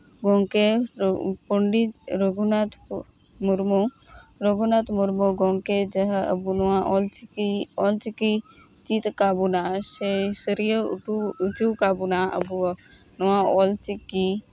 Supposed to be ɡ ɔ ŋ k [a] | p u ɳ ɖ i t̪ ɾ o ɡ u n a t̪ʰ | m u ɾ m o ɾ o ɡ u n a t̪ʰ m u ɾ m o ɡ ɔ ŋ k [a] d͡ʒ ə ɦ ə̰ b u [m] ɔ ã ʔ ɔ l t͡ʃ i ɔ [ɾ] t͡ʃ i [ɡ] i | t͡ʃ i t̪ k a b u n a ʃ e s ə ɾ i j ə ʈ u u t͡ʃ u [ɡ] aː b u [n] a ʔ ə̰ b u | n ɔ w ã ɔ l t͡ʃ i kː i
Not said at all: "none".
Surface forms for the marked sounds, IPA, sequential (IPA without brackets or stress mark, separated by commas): e, e, n, l, k, k, n